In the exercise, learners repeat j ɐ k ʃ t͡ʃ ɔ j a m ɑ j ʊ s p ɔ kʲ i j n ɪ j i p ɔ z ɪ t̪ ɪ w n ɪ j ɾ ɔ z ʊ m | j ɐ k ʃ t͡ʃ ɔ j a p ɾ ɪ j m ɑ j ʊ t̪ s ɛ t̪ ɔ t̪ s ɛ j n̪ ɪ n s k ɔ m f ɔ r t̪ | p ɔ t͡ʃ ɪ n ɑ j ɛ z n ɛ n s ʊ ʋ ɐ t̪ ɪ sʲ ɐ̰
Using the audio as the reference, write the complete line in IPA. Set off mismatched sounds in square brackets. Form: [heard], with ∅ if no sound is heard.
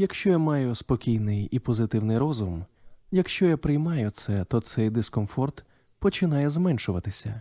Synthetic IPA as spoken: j ɐ k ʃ t͡ʃ ɔ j a m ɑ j ʊ s p ɔ kʲ i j n ɪ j i p ɔ z ɪ t̪ ɪ w n ɪ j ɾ ɔ z ʊ m | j ɐ k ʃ t͡ʃ ɔ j a p ɾ ɪ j m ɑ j ʊ t̪ s ɛ t̪ ɔ t̪ s ɛ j [d̪] ɪ [∅] s k ɔ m f ɔ r t̪ | p ɔ t͡ʃ ɪ n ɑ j ɛ z [m] ɛ n [ʃ] ʊ ʋ ɐ t̪ ɪ sʲ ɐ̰